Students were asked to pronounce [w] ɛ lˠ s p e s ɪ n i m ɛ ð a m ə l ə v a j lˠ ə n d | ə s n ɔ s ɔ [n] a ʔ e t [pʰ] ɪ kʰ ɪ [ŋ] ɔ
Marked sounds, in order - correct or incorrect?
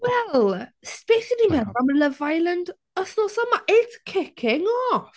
correct, incorrect, incorrect, correct

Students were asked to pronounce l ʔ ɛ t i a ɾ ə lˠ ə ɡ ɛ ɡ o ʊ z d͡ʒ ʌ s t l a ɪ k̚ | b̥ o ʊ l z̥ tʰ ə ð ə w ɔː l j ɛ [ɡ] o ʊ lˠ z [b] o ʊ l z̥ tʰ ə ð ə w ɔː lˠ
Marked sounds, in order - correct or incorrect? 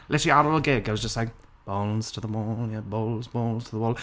incorrect, correct

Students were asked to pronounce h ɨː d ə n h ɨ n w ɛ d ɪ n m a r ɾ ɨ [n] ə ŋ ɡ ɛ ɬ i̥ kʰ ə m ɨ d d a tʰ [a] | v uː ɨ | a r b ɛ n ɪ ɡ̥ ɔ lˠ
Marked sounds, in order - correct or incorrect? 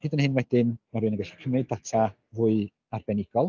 correct, correct

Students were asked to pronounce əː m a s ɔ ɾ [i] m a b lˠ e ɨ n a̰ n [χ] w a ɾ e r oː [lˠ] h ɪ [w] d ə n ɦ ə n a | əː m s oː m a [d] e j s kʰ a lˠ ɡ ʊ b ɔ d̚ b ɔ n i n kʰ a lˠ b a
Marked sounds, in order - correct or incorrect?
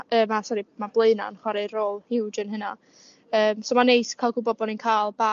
correct, correct, correct, correct, incorrect

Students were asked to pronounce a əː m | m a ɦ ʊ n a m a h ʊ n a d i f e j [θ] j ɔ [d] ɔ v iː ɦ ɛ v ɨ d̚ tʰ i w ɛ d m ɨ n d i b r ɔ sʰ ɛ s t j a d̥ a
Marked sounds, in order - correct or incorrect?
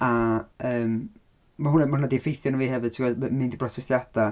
correct, incorrect

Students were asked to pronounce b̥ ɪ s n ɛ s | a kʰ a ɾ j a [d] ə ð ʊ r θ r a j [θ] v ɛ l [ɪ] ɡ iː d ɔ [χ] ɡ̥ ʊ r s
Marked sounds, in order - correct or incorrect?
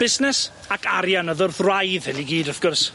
incorrect, incorrect, incorrect, incorrect

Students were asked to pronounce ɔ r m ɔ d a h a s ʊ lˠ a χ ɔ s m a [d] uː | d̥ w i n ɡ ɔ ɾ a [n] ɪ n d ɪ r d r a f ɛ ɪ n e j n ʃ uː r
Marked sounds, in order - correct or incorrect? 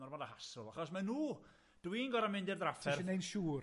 incorrect, incorrect

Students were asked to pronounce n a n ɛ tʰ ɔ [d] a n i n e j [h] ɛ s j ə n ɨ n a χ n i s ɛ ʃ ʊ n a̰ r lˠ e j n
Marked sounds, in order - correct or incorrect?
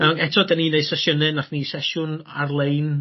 correct, incorrect

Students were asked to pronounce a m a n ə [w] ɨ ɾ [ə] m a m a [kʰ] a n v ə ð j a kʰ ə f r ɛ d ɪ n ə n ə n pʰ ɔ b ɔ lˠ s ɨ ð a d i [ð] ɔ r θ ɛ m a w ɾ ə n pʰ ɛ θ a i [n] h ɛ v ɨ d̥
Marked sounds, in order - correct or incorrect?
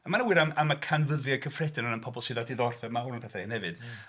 correct, incorrect, correct, correct, correct

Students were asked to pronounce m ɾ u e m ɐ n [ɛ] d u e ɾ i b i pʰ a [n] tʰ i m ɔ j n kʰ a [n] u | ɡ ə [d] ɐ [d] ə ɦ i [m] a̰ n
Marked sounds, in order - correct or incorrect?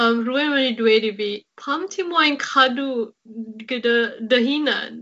incorrect, incorrect, incorrect, correct, correct, incorrect

